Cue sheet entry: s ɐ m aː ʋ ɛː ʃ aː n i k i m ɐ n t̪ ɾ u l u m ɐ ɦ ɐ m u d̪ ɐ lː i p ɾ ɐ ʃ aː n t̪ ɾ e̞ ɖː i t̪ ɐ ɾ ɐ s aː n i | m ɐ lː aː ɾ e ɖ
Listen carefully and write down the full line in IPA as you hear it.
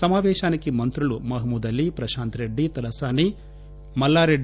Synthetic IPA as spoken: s ɐ m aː ʋ ɛː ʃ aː n i k i m ɐ n t̪ ɾ u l u m ɐ ɦ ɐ m u d̪ ɐ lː i p ɾ ɐ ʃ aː n t̪ ɾ e̞ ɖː i t̪ ɐ l ɐ s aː n i | m ɐ lː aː ɾ e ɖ